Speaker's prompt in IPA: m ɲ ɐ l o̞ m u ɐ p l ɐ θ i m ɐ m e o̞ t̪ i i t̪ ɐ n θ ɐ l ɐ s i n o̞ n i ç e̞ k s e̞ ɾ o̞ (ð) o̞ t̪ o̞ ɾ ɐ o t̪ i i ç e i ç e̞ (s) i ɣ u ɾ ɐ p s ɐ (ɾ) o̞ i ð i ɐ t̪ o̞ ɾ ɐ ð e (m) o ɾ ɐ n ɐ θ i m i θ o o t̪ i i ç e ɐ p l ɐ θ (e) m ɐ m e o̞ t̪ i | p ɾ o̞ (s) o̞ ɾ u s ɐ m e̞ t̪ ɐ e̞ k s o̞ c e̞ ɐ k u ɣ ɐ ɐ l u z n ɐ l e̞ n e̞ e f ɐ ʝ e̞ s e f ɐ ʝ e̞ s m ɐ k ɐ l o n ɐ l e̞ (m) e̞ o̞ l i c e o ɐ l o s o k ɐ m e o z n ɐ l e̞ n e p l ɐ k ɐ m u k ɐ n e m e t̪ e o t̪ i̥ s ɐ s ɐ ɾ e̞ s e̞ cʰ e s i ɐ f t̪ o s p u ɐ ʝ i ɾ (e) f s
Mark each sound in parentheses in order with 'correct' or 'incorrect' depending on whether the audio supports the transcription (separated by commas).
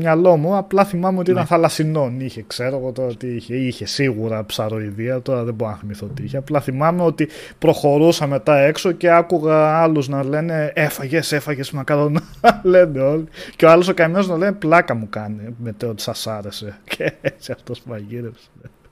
incorrect, correct, correct, incorrect, incorrect, incorrect, incorrect, correct